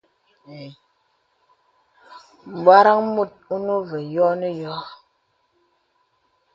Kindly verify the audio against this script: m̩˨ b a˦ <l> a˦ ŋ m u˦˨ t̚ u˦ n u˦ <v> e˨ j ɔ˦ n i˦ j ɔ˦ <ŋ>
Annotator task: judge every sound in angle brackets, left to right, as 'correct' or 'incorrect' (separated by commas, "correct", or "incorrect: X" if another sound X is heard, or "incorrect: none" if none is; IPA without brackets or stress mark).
incorrect: ɾ, correct, incorrect: none